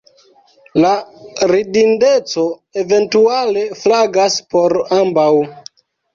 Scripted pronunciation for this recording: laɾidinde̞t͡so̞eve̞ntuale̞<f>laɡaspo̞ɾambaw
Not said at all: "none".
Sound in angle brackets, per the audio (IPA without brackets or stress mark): f